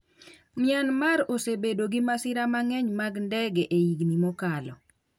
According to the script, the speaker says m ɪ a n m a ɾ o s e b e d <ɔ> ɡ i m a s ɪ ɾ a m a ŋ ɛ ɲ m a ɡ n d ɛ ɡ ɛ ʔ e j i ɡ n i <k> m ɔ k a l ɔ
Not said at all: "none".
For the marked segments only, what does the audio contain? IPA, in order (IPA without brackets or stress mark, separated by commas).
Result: o, none